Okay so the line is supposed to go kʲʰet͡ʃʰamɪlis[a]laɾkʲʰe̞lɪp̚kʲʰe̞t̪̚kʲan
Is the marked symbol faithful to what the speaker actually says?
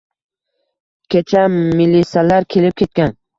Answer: yes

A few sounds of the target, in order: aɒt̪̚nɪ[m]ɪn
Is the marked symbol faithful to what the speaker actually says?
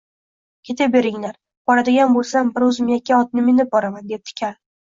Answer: yes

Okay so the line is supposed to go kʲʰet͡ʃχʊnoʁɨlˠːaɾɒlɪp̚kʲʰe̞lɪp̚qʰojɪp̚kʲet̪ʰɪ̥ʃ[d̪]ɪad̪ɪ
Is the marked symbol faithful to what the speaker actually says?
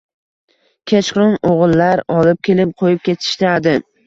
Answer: no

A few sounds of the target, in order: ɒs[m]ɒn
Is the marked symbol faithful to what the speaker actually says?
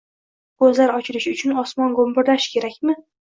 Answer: yes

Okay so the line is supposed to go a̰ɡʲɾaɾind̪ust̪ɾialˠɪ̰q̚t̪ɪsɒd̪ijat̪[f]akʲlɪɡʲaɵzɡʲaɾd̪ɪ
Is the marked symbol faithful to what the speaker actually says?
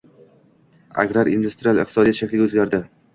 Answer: no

